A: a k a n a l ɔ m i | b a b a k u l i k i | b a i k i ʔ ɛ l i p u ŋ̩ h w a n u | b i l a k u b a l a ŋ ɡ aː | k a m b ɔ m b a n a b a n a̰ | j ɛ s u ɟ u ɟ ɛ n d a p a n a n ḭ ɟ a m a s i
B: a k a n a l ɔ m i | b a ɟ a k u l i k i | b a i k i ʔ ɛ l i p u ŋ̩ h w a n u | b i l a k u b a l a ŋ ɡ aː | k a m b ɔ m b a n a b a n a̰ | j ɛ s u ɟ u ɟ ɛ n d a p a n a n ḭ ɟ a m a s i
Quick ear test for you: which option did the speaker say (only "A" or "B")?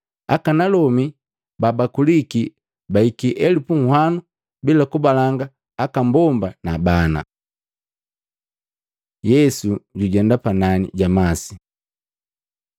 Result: A